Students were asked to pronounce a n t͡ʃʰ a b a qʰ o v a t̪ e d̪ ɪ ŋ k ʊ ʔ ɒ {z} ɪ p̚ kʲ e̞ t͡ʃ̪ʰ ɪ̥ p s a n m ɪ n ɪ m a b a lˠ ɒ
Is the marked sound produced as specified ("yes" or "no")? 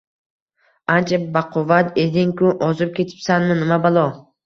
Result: yes